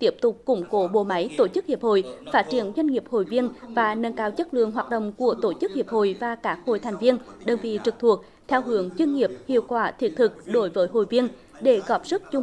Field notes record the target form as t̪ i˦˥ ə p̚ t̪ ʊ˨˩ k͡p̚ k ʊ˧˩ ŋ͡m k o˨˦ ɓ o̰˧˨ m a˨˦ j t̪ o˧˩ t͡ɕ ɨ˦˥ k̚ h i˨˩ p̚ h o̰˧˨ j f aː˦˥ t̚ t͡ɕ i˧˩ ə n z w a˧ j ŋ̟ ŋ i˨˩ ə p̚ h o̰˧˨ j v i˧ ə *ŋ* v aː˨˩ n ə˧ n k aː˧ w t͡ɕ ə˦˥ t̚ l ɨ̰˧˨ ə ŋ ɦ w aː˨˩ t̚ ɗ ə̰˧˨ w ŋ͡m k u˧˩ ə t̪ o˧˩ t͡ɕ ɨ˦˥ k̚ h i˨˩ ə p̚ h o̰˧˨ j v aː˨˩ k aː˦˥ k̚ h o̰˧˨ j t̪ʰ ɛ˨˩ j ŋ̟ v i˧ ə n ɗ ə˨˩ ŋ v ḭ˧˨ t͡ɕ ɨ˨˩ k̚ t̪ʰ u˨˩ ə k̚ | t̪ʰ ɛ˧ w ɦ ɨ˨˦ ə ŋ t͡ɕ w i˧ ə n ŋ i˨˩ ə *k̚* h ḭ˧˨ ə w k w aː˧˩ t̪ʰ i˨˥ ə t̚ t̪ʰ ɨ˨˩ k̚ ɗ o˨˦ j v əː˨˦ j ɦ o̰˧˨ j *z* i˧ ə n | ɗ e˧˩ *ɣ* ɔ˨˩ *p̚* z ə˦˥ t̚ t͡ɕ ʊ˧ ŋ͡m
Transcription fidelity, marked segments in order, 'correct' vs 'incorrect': incorrect: n, incorrect: p̚, incorrect: v, correct, correct

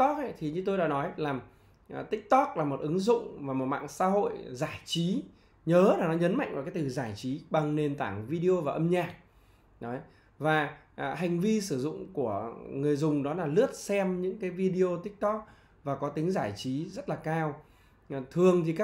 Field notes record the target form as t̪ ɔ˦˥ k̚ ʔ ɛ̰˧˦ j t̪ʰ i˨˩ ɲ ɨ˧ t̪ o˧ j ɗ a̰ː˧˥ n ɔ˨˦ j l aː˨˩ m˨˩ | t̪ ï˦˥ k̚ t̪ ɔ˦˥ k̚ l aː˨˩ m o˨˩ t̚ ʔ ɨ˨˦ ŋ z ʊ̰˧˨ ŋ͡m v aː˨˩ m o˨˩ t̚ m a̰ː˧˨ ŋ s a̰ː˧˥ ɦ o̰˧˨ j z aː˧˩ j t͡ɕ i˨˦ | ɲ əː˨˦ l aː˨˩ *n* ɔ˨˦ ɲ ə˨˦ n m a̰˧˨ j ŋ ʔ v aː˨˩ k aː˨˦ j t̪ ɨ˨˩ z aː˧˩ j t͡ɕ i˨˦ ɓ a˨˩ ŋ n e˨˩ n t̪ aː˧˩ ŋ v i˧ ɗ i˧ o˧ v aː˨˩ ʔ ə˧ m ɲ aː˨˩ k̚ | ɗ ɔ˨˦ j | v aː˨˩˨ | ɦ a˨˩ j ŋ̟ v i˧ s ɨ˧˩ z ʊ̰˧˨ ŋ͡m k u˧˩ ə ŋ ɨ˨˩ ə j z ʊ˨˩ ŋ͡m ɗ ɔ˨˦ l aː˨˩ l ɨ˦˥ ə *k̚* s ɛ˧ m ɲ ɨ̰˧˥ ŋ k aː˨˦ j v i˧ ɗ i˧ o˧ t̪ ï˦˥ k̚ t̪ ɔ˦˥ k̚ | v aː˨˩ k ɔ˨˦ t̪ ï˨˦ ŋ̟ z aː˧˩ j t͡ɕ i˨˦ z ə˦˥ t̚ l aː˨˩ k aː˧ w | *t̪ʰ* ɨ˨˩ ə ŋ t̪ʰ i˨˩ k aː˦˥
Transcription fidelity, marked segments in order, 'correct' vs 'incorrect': correct, incorrect: t̚, correct

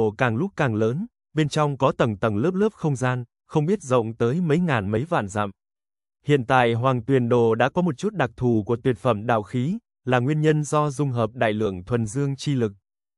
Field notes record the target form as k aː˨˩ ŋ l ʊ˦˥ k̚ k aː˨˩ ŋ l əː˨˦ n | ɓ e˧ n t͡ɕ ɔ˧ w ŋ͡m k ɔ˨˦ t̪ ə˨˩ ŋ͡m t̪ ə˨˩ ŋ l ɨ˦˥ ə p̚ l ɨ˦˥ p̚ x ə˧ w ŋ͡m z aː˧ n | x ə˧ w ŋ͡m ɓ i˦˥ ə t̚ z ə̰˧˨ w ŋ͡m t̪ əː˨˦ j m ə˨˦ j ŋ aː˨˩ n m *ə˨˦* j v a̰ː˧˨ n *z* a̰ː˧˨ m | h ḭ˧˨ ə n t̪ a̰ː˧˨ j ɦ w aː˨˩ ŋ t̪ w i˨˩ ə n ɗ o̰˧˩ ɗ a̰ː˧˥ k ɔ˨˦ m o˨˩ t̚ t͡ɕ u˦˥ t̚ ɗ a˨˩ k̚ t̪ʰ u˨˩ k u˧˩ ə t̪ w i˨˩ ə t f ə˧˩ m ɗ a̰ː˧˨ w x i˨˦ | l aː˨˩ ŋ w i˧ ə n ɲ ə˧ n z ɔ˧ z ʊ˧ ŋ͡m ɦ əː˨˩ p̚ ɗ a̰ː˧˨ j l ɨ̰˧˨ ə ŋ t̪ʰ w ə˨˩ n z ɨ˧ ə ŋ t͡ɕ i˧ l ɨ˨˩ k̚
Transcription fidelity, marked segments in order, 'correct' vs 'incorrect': correct, correct

